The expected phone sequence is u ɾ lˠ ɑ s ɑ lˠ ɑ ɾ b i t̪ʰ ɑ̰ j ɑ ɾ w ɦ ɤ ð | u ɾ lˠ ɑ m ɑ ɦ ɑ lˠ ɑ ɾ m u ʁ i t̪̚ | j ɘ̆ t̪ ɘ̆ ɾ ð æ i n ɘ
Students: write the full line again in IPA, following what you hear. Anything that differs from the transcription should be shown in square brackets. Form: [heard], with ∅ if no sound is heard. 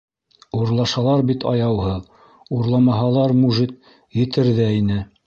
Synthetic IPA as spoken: u ɾ lˠ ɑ [ʃ] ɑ lˠ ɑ ɾ b i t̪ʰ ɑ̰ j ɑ [∅] w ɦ ɤ ð | u ɾ lˠ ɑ m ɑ ɦ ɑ lˠ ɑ ɾ m u [ʒ] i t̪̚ | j ɘ̆ t̪ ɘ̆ ɾ ð æ i n ɘ